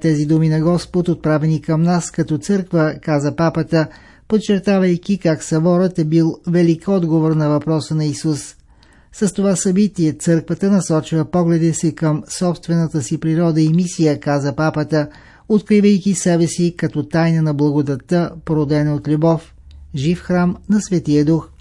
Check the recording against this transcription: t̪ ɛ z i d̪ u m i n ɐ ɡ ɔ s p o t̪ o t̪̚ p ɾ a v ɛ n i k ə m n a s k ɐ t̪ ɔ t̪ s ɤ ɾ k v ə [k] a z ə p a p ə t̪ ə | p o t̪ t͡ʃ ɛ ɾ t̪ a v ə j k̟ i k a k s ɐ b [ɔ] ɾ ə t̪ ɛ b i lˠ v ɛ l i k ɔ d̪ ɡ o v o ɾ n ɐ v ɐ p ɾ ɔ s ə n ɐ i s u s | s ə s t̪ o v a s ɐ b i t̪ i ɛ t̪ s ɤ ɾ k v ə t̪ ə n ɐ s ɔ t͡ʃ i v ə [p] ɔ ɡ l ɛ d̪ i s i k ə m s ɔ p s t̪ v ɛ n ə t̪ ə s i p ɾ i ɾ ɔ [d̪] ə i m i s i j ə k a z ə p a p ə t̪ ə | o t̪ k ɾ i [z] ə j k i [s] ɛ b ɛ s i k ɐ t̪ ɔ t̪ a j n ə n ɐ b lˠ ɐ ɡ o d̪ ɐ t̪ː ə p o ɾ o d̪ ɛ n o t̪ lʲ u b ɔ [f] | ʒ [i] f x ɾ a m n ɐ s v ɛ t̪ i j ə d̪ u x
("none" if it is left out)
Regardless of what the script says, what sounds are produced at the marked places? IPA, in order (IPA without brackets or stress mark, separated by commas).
k, ɔ, p, d̪, v, s, f, i